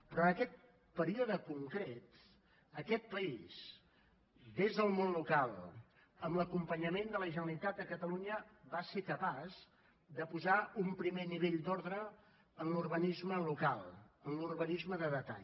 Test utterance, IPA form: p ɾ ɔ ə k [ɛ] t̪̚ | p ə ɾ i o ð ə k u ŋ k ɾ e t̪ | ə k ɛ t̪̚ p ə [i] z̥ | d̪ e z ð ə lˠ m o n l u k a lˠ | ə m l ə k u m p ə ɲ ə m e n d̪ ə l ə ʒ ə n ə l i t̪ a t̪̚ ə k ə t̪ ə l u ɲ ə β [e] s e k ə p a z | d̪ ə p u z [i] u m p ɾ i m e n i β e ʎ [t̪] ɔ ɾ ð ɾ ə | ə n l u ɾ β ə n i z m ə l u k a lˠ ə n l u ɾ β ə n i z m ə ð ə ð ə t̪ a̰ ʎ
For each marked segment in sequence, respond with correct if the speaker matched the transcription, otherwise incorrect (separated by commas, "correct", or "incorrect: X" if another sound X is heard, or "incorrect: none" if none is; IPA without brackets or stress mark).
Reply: correct, correct, incorrect: a, incorrect: a, incorrect: d̪